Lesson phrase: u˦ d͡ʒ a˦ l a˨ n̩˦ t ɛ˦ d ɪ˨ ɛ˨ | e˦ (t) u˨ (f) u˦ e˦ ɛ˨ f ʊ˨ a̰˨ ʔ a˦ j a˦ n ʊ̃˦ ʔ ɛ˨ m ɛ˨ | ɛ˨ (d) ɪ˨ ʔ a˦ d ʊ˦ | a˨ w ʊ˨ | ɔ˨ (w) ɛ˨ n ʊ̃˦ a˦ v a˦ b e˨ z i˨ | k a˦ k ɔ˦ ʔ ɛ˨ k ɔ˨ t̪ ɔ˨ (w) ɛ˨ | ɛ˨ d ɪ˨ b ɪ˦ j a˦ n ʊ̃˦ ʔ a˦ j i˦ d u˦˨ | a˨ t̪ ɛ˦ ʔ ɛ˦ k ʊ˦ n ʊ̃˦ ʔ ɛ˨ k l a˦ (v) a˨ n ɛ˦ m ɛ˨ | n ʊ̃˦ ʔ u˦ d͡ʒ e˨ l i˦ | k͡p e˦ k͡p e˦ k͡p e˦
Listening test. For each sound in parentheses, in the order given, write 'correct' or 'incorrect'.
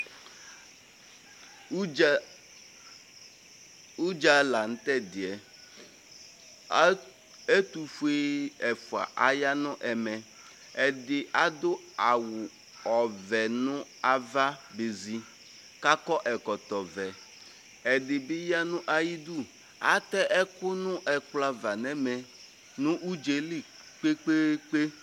correct, correct, correct, incorrect, incorrect, correct

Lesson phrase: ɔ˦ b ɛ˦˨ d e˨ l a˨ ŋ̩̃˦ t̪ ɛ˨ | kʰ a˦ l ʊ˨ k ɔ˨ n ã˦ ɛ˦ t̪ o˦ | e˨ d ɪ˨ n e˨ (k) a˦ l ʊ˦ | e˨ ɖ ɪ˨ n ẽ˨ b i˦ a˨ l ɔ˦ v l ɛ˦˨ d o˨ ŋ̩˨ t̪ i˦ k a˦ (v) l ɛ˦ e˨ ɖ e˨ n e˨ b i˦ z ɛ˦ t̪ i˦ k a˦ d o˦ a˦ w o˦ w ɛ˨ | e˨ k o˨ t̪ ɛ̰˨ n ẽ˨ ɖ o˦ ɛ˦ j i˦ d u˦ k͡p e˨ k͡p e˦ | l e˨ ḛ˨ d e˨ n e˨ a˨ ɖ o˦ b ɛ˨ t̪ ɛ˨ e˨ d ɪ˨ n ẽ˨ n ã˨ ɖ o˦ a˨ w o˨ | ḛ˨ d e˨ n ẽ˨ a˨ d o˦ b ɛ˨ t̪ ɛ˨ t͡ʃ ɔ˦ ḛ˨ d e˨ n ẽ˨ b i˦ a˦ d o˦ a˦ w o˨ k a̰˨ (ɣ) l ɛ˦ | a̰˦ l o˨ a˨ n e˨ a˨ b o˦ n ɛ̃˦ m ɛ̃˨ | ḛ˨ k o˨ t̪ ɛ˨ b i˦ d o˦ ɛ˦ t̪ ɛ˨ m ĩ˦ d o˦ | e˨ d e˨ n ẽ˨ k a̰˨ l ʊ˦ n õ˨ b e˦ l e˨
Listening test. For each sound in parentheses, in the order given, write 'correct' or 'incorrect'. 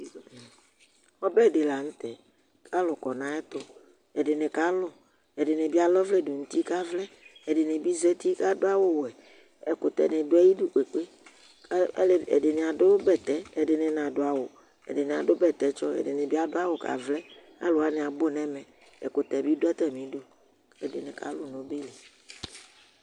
correct, correct, incorrect

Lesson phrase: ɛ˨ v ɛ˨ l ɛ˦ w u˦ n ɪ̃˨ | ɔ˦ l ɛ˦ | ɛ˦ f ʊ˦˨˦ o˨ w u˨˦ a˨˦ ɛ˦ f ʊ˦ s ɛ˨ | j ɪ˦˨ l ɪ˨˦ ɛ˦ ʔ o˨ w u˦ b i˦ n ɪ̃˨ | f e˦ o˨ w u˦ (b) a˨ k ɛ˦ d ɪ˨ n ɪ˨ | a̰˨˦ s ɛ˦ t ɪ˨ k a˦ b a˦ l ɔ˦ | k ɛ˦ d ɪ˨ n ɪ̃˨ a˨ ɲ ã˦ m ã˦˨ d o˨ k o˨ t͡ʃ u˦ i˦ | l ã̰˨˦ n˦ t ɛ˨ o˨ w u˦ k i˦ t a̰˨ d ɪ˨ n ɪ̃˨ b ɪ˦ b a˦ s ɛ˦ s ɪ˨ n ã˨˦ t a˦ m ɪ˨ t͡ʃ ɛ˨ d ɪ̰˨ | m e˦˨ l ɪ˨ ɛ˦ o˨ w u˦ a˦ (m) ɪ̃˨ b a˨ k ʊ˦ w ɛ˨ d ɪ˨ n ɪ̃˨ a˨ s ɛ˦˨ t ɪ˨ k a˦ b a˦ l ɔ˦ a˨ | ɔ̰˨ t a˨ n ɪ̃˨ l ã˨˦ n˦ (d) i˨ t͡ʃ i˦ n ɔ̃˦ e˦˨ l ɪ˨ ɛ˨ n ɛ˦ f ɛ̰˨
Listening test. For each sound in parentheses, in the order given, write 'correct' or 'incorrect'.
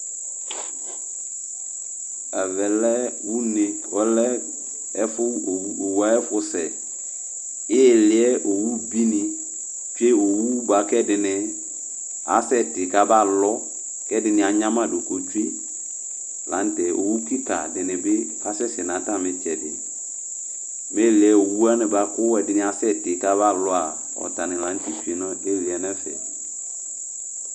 correct, incorrect, incorrect

